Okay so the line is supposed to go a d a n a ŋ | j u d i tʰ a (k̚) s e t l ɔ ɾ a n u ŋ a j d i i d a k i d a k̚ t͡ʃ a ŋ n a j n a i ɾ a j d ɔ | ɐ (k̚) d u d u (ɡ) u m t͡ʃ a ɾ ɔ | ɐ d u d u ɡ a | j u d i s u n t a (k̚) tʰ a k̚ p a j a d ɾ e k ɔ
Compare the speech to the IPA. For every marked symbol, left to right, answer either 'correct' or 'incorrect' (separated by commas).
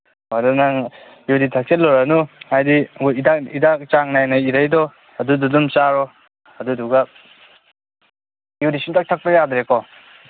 correct, incorrect, incorrect, correct